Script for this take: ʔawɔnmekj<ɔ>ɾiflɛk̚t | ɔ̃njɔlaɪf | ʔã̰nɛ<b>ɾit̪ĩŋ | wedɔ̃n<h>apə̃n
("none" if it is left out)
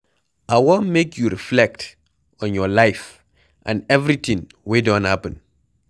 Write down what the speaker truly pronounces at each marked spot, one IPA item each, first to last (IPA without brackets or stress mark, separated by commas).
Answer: u, v, h